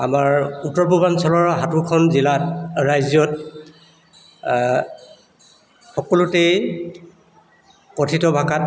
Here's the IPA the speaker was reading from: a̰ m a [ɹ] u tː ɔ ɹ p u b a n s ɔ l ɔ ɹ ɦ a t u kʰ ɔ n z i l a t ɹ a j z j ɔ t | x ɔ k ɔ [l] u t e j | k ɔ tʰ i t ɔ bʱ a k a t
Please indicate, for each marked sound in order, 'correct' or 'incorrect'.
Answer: correct, correct

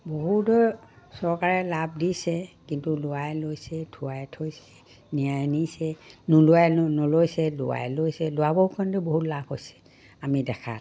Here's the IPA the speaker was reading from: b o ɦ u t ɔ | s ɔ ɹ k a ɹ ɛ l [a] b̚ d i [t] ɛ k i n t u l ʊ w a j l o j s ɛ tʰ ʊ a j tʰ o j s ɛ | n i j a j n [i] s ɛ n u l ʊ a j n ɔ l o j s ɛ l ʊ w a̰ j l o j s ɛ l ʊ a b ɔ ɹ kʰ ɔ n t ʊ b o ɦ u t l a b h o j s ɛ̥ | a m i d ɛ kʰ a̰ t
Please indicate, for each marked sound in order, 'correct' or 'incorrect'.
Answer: correct, incorrect, correct

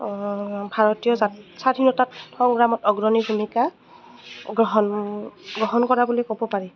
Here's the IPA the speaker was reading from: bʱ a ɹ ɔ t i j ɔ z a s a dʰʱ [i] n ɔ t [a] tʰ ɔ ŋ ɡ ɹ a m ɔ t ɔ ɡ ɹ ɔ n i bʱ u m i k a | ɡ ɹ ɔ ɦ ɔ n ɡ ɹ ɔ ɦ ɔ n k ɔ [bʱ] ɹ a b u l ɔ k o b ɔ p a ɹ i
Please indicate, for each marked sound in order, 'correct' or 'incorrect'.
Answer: correct, correct, incorrect

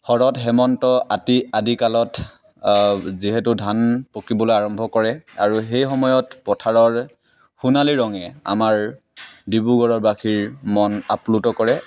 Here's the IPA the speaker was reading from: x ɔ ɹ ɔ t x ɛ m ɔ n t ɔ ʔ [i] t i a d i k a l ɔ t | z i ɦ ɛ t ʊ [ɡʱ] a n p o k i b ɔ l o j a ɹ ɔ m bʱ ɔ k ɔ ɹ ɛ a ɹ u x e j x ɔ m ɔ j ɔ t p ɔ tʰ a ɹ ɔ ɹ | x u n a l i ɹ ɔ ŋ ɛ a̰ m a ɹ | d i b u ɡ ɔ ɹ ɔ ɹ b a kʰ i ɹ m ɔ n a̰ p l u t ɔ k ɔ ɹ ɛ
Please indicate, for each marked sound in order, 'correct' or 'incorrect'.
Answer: incorrect, incorrect

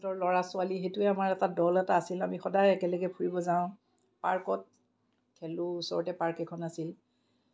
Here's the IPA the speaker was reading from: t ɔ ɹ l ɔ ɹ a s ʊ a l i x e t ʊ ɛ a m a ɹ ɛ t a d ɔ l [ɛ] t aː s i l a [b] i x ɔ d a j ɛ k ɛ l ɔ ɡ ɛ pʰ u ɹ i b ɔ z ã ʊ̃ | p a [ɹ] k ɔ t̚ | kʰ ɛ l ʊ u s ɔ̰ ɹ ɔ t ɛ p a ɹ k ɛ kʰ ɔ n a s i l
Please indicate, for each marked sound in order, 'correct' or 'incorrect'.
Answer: correct, incorrect, correct

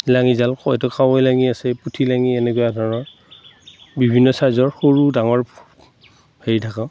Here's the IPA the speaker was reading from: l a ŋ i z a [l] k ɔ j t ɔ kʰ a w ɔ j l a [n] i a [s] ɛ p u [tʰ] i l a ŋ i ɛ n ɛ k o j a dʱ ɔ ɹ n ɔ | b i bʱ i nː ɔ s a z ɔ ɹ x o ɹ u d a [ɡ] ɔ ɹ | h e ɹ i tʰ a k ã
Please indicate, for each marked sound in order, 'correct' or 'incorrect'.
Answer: correct, incorrect, correct, correct, incorrect

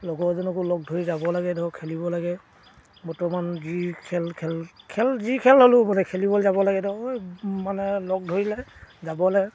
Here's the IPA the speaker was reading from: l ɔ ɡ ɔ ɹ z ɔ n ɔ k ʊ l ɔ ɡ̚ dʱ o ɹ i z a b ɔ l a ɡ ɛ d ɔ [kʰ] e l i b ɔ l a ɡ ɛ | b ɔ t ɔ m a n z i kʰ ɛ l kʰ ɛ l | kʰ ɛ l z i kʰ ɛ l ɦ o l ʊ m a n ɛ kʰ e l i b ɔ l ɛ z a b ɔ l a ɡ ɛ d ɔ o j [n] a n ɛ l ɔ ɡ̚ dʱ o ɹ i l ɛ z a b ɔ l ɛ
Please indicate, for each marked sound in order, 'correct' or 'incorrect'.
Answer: correct, incorrect

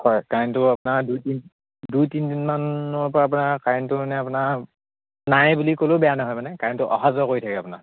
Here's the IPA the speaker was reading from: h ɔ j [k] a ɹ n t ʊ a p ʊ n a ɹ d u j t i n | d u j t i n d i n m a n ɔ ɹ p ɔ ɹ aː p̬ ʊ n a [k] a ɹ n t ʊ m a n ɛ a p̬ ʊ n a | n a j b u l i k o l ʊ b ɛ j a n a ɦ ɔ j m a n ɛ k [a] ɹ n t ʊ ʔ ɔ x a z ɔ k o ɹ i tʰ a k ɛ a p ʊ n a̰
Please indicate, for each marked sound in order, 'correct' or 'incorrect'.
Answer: correct, correct, correct

